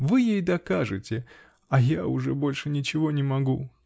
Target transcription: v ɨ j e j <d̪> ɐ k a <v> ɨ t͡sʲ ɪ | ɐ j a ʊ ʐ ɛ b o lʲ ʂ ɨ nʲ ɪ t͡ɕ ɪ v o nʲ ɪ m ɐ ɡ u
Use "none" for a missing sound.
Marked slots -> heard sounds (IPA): d̪, ʐ

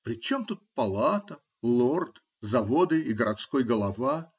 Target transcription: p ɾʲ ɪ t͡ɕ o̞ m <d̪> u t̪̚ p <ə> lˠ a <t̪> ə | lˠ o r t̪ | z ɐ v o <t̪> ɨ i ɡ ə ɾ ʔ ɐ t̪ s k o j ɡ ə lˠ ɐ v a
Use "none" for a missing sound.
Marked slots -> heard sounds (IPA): t̪, ɐ, t̪, d̪

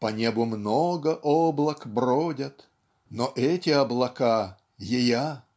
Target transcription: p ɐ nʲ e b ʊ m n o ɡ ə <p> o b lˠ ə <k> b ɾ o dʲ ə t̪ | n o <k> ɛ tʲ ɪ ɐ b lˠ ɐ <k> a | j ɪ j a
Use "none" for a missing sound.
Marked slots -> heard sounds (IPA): ʔ, k, ʔ, k

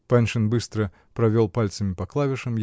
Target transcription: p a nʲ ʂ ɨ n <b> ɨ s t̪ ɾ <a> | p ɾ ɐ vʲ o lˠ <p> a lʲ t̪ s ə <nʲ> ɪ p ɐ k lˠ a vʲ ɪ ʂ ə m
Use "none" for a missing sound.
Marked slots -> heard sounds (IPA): b, ə, p, mʲ

